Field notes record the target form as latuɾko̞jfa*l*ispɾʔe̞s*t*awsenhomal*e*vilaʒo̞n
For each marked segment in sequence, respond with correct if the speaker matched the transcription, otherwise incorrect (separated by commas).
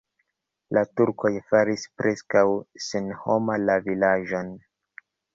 incorrect, incorrect, incorrect